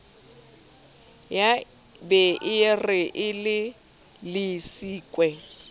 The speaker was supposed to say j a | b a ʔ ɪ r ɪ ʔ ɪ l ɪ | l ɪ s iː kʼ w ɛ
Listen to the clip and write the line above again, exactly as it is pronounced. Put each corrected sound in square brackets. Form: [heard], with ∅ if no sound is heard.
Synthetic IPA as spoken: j a | b [ɛ] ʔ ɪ r ɪ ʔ ɪ l ɪ | l ɪ s iː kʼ w ɛ